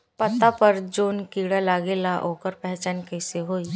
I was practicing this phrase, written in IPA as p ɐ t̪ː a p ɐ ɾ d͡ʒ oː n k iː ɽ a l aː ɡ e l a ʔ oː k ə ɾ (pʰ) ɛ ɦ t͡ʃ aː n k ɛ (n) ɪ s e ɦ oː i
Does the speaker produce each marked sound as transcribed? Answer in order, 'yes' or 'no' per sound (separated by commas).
no, no